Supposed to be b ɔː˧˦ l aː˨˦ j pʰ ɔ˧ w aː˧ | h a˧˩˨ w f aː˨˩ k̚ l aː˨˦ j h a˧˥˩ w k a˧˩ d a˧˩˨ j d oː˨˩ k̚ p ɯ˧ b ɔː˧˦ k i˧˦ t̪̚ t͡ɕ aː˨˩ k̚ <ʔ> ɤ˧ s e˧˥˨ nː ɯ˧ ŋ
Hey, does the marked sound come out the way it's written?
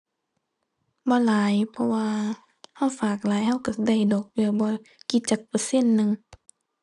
no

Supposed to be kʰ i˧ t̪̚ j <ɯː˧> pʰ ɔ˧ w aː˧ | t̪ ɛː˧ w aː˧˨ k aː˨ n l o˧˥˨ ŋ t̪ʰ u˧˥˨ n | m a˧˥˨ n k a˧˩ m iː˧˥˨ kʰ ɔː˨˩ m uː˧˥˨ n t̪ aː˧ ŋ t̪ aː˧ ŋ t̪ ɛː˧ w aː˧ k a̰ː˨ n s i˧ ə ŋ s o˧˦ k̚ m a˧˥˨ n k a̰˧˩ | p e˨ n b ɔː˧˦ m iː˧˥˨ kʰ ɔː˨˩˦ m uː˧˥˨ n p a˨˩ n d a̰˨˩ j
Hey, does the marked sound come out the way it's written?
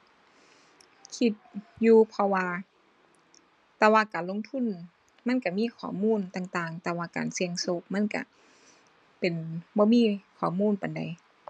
no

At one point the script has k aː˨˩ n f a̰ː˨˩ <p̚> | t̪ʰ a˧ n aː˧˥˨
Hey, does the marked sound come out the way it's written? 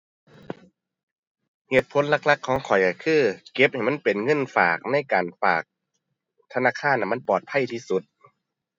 no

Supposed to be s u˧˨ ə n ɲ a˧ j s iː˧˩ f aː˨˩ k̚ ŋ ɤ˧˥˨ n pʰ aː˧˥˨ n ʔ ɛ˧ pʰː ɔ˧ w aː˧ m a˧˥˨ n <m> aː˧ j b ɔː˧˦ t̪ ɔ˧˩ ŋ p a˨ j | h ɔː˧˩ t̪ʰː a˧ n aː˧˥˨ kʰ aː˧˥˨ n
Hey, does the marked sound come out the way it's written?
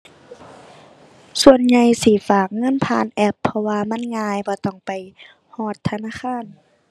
no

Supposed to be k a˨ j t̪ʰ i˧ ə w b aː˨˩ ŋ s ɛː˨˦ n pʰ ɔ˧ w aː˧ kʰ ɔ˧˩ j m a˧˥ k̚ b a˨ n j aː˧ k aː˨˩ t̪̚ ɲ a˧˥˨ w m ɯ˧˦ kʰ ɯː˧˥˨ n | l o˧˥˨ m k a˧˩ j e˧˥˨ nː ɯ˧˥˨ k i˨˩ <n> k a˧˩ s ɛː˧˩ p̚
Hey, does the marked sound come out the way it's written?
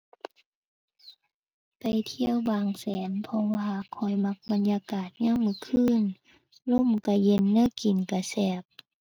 yes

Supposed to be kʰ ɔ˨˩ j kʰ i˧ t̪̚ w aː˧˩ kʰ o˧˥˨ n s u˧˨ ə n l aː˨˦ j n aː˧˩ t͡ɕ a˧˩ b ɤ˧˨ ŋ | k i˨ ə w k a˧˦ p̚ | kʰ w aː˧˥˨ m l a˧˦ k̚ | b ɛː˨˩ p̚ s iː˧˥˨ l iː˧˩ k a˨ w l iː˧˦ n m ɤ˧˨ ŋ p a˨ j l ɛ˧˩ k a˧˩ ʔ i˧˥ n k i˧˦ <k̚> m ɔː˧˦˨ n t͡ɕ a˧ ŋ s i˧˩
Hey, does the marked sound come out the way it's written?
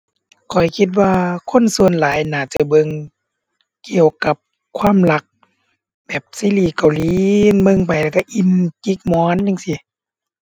yes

